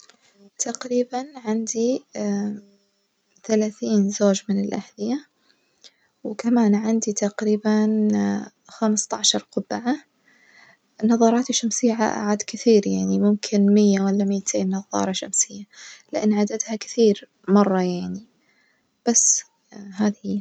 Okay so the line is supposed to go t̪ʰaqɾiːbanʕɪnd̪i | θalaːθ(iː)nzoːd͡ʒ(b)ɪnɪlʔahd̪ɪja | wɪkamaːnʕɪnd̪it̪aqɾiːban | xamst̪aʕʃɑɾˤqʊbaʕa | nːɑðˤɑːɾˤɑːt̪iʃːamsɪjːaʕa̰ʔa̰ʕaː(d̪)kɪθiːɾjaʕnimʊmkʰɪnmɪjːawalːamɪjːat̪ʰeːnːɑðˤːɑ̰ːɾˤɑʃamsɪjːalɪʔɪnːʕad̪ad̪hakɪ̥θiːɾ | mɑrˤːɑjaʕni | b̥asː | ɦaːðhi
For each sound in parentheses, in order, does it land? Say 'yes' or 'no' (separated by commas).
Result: yes, no, yes